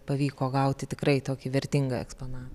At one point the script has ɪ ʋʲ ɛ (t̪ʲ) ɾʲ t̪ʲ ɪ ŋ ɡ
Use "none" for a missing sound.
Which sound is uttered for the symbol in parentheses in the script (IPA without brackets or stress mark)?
none